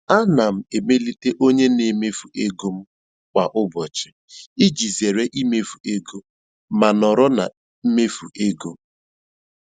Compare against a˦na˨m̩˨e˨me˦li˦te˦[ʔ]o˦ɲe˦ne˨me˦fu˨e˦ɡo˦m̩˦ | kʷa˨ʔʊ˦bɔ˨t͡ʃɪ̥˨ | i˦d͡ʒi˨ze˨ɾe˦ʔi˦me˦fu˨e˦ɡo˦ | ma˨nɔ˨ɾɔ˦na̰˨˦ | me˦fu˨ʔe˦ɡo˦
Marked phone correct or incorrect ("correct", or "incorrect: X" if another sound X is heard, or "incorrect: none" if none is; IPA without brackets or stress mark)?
correct